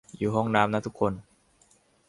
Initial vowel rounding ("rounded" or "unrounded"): rounded